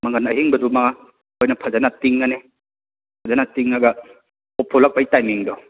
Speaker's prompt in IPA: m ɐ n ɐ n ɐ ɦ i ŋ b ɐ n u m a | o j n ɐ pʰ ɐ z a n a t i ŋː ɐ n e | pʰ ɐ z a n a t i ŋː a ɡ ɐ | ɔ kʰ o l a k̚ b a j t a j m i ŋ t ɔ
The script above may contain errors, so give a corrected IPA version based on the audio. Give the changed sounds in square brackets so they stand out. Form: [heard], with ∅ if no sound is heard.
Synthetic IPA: m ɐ [ŋ] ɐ n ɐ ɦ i ŋ b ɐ [d] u m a | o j n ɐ pʰ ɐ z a n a t i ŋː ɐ n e | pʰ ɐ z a n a t i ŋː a ɡ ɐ | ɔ [pʰ] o l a k̚ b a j t a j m i ŋ [d] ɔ